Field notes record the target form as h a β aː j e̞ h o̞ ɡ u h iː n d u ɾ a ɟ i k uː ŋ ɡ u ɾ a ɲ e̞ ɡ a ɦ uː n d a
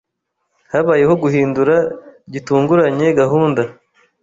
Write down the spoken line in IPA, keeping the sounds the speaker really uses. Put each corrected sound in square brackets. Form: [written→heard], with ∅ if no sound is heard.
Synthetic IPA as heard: h a β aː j e̞ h o̞ ɡ u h iː n d u ɾ a ɟ i [k→t] uː ŋ ɡ u ɾ a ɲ e̞ ɡ a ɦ uː n d a